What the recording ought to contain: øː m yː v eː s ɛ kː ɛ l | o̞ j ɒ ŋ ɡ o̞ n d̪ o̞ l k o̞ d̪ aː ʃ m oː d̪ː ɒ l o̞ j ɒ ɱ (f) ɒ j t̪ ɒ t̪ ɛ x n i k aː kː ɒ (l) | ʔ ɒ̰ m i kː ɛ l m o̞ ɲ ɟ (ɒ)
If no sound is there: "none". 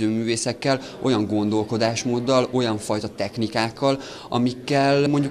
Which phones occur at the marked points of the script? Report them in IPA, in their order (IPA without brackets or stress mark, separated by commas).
f, l, u